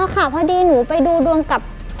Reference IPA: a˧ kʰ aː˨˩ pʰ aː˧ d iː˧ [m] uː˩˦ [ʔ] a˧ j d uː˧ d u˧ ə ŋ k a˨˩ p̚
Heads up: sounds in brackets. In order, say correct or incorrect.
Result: incorrect, incorrect

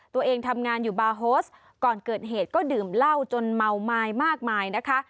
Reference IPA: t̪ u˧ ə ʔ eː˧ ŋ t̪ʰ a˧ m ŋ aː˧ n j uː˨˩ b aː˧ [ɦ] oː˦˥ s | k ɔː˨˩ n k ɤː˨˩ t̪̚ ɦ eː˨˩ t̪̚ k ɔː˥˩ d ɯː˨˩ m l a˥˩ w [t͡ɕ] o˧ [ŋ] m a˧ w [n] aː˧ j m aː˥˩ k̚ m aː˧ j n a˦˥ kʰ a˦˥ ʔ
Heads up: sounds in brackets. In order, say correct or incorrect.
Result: correct, correct, incorrect, incorrect

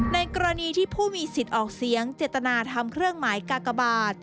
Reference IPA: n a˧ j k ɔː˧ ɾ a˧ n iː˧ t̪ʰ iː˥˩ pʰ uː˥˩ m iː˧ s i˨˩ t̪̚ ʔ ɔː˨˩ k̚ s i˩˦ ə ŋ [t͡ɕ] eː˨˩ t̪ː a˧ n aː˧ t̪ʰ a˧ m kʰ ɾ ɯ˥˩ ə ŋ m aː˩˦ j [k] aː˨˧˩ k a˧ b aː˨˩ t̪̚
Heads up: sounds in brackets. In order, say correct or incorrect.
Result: correct, correct

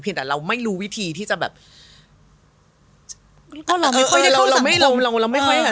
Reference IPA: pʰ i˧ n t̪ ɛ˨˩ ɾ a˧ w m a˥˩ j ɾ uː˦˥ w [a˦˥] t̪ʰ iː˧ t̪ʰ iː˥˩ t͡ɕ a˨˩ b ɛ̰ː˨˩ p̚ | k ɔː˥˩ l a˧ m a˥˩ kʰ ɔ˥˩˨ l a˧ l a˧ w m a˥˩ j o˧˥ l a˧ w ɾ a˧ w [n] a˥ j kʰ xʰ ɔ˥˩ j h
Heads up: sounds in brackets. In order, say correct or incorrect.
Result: incorrect, incorrect

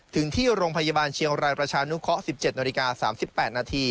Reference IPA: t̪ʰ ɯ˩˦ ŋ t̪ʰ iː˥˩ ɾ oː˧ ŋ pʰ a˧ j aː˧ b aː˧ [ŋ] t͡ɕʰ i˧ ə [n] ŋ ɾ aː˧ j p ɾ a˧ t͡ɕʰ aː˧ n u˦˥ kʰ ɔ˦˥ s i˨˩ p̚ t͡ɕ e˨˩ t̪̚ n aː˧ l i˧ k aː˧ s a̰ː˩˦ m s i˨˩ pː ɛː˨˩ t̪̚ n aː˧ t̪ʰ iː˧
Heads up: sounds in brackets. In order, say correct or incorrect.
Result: incorrect, incorrect

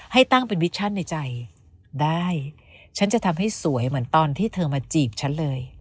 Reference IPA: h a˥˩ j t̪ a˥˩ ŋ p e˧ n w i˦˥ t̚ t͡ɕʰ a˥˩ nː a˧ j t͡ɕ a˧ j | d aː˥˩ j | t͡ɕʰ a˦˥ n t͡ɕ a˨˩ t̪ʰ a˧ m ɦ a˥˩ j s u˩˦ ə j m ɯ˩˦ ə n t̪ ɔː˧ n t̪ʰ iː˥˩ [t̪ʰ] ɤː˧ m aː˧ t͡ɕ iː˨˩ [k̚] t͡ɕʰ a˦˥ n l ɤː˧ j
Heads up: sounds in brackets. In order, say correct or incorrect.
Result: correct, incorrect

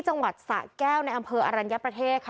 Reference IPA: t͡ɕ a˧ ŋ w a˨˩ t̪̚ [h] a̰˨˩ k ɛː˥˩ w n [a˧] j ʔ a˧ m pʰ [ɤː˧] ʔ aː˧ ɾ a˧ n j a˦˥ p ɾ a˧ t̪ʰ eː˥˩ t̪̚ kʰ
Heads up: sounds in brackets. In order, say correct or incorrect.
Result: incorrect, correct, correct

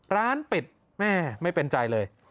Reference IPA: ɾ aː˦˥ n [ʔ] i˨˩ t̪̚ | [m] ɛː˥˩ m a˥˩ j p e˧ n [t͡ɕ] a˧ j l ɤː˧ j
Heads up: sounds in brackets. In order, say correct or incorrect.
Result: incorrect, correct, correct

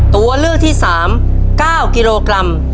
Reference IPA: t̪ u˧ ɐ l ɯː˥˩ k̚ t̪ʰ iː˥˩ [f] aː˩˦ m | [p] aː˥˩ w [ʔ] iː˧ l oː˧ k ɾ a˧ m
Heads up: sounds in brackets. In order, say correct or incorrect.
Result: incorrect, incorrect, incorrect

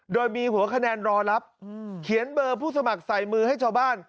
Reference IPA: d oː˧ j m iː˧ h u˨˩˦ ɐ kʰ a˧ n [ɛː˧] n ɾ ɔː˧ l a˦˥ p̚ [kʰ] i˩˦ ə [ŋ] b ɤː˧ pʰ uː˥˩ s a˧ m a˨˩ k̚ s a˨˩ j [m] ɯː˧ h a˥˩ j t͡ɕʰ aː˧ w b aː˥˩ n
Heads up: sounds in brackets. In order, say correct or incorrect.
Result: correct, correct, incorrect, correct

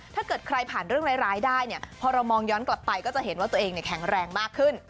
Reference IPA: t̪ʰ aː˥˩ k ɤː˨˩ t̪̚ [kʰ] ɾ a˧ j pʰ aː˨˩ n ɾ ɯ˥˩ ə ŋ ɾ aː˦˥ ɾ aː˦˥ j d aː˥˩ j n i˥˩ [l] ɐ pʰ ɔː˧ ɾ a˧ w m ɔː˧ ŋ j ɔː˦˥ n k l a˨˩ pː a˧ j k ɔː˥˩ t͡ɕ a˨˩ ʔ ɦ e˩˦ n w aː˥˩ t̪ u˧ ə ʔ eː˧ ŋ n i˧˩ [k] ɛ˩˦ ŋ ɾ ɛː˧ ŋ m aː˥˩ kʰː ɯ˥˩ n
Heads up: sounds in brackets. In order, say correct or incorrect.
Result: correct, incorrect, incorrect

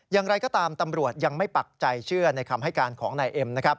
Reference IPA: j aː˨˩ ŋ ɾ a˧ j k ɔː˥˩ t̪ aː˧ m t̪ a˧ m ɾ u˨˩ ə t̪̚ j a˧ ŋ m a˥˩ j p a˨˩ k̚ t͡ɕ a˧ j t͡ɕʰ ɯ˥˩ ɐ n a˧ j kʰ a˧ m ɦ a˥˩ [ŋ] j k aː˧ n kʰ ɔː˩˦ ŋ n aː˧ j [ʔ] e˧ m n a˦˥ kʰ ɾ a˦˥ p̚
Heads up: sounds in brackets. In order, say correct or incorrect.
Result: incorrect, correct

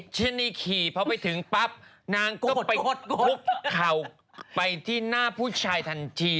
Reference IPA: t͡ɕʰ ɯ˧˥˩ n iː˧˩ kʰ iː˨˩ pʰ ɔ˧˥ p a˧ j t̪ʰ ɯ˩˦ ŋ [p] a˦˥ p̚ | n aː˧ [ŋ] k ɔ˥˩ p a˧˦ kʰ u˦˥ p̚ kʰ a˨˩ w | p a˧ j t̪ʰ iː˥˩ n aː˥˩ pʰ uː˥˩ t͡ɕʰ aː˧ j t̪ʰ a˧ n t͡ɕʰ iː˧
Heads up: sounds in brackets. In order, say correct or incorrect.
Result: correct, correct

